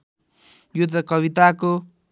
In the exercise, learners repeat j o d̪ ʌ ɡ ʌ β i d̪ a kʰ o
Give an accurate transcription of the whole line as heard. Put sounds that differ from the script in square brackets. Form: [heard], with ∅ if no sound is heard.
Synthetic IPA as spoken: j [u] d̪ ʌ [k] ʌ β i [t̪] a [k] o